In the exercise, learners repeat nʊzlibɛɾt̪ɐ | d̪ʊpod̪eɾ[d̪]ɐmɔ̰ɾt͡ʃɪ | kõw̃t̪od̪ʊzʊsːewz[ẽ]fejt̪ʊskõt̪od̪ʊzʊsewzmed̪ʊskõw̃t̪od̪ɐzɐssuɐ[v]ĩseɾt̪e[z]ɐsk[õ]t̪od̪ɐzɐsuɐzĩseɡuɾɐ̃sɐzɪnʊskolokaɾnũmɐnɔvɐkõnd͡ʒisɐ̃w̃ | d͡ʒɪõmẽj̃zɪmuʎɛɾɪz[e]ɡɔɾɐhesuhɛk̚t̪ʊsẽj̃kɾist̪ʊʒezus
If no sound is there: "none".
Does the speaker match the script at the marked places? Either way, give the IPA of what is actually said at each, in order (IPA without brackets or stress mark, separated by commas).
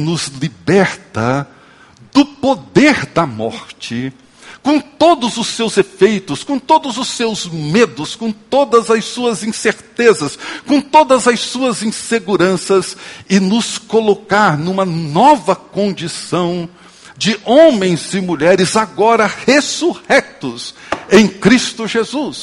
d̪, e, z, z, õ, a